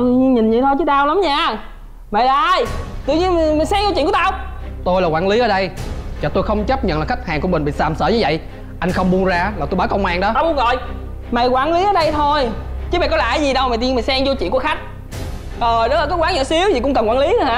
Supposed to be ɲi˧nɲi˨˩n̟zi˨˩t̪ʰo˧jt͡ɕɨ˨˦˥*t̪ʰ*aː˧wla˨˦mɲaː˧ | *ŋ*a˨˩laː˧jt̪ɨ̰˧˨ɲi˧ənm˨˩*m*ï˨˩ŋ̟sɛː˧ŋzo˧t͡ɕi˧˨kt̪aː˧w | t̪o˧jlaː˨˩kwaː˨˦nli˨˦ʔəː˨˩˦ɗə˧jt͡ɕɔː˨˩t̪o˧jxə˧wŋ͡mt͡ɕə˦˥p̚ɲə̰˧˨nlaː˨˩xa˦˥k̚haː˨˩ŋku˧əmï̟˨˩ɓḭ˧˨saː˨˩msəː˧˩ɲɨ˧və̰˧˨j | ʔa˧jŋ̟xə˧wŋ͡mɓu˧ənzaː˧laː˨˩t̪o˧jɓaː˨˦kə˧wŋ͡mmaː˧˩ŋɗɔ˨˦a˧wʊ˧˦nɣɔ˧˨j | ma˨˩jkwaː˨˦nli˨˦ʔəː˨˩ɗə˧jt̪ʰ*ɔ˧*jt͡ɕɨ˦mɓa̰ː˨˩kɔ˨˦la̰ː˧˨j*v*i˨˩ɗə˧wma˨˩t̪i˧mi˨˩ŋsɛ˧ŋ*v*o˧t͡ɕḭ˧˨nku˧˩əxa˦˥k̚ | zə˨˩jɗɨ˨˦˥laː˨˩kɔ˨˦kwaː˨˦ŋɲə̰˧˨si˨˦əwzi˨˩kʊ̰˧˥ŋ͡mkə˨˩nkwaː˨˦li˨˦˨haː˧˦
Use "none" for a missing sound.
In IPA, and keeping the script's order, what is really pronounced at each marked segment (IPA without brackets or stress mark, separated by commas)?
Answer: t̪, m, m, o˧, z, z